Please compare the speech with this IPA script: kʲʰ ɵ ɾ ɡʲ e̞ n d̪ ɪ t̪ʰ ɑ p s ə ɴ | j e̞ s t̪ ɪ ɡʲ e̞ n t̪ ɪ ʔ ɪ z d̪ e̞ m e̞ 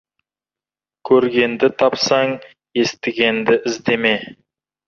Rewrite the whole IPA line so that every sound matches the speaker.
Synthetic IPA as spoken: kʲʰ ɵ ɾ ɡʲ e̞ n d̪ ɪ t̪ʰ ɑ p s ɑ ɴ | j e̞ s t̪ ɪ ɡʲ e̞ n d̪ ɪ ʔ ɪ z d̪ e̞ m e̞